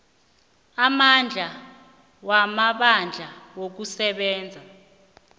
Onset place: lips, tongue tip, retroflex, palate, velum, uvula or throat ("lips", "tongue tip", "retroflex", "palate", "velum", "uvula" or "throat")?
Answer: lips